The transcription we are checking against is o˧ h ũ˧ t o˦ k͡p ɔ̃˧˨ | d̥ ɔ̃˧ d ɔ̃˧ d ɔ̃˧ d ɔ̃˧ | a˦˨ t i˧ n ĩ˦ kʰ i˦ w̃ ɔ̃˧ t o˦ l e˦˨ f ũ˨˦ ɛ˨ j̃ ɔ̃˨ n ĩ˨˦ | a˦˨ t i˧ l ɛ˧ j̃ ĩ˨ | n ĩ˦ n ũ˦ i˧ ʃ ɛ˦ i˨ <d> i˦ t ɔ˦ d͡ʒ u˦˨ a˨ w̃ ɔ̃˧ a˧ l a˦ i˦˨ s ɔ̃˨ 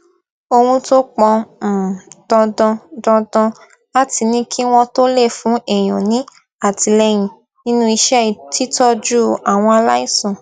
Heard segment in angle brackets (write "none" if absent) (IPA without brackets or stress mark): t